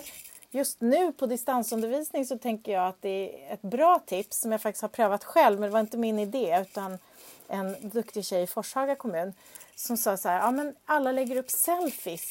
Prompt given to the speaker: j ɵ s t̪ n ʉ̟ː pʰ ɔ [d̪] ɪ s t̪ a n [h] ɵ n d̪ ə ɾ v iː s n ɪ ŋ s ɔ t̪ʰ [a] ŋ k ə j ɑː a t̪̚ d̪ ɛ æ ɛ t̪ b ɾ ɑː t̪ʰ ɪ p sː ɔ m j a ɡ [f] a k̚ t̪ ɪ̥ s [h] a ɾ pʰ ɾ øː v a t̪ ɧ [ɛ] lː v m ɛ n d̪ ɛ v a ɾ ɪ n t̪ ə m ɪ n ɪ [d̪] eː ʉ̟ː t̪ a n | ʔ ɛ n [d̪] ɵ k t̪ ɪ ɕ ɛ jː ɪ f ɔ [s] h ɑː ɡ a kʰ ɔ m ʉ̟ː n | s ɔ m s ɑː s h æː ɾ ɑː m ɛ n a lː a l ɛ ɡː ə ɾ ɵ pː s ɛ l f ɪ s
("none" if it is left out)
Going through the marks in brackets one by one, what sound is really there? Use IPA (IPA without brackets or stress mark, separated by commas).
d̪, s, ɛ, f, h, ɛ, d̪, d̪, ʂ